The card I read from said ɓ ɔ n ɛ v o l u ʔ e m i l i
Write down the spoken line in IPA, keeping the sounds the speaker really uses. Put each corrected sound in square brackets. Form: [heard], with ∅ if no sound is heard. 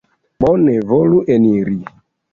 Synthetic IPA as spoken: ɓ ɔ n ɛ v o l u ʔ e [n] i [ɾ] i